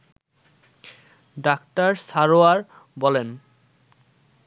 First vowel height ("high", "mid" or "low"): low